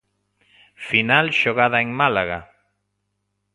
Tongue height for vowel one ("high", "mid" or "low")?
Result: high